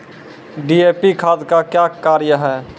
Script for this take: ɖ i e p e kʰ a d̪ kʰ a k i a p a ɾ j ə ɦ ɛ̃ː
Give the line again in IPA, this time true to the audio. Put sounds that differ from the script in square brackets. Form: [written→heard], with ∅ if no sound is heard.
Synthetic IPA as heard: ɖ i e p [e→i] kʰ a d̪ [kʰ→k] a k [i→j] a [p→k] a ɾ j ə ɦ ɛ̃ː